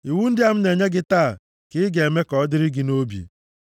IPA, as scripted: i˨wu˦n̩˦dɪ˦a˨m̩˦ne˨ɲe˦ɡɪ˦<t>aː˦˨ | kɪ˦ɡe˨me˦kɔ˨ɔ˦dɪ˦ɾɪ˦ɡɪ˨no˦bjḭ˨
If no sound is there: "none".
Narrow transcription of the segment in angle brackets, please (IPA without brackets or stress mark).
t